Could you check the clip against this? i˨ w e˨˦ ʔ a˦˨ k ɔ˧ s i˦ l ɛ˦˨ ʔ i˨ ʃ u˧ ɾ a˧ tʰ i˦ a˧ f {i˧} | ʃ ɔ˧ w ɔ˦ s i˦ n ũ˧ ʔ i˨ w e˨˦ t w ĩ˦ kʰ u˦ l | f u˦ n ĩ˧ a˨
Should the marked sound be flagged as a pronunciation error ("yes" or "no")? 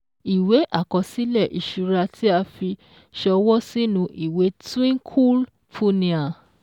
no